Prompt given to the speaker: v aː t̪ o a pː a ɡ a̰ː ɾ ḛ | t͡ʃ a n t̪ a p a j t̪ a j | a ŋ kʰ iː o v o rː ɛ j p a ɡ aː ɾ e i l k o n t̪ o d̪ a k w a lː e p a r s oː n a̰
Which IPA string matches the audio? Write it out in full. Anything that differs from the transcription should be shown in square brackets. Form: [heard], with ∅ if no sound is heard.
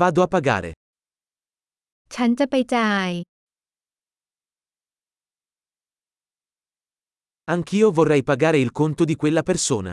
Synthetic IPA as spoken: v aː [d̪] o a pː a ɡ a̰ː ɾ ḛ | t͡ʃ a n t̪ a p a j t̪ a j | a ŋ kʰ iː o v o rː ɛ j p a ɡ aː ɾ e i l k o n t̪ o d̪ [i] k w [e] lː [a] p [e] r s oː n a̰